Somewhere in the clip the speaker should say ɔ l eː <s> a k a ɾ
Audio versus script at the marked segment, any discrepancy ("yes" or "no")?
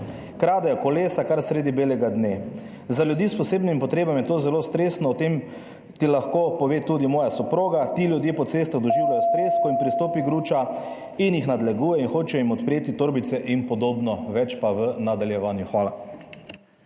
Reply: no